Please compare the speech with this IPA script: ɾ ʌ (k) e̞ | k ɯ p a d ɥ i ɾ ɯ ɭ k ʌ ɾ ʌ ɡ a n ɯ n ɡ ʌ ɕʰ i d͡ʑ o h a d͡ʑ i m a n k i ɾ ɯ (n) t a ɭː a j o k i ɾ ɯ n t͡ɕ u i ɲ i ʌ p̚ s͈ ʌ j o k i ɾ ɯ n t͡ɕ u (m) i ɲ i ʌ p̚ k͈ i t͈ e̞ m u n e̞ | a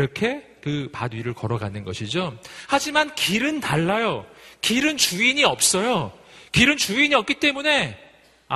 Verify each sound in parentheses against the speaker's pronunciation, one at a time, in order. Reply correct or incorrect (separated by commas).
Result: incorrect, correct, incorrect